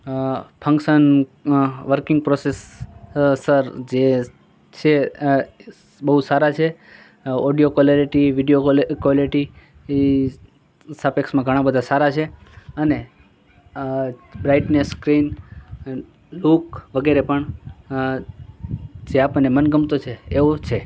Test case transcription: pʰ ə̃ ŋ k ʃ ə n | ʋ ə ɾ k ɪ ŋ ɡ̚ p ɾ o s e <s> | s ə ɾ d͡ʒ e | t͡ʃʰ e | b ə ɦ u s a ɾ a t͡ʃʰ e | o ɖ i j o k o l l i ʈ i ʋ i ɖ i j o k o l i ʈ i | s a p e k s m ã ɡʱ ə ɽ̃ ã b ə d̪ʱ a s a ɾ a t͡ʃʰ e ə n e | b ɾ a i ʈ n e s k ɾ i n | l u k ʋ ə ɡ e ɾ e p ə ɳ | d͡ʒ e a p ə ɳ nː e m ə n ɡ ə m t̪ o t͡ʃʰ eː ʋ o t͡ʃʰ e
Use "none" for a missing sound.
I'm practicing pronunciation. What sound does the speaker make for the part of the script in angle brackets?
s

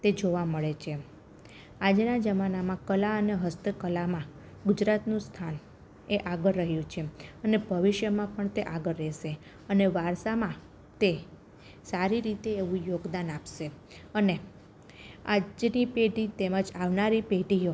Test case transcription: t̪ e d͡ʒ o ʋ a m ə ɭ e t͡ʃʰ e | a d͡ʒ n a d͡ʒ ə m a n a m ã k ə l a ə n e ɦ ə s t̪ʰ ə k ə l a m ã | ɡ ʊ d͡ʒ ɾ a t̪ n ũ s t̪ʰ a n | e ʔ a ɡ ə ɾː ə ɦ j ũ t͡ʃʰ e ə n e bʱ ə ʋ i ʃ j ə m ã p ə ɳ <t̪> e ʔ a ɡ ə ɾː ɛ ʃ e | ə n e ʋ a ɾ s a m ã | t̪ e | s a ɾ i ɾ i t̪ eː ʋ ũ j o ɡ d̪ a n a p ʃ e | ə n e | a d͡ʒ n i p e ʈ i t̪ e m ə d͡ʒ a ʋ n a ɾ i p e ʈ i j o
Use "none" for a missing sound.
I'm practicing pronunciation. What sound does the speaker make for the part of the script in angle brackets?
t̪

